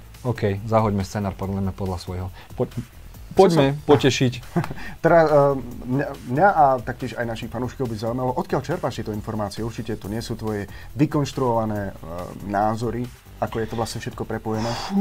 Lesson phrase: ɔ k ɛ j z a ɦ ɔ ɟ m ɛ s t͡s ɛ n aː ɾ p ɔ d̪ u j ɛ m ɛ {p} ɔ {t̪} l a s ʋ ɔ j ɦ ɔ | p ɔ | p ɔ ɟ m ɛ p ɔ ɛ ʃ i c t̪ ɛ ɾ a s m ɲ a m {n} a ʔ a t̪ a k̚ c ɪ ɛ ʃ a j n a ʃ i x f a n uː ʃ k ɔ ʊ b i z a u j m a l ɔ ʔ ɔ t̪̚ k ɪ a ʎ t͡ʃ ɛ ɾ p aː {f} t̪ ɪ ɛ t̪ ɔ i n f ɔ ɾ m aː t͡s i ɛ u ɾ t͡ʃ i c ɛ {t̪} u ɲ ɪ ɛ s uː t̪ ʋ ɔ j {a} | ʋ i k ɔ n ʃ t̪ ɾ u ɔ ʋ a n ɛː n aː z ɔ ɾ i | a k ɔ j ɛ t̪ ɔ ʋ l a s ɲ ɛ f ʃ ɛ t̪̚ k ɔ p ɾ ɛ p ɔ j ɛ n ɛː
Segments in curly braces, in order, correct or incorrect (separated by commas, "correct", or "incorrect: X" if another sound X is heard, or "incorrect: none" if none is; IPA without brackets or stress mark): correct, incorrect: d̪, incorrect: ɲ, incorrect: ʃ, correct, incorrect: ɛ